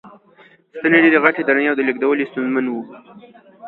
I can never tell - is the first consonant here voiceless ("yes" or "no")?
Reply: yes